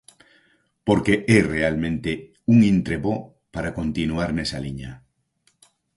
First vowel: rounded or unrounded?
rounded